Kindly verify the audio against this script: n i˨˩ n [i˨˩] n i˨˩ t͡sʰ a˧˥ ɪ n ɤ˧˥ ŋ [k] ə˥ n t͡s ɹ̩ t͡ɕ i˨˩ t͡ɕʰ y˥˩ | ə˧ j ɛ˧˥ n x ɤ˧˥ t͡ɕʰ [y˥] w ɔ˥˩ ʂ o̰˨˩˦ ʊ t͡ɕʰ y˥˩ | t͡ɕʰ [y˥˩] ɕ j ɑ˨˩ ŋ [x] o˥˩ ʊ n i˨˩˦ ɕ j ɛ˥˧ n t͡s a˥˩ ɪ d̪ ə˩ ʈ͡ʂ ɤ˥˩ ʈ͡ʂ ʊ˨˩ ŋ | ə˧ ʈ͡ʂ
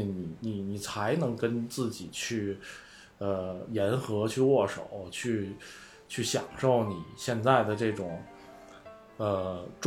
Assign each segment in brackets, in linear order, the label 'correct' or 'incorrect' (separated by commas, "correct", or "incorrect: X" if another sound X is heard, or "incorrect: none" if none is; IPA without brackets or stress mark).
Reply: correct, correct, incorrect: y˥˧, correct, incorrect: ʂ